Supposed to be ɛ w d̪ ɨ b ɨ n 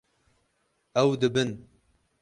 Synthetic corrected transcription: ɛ w d̪ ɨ b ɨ n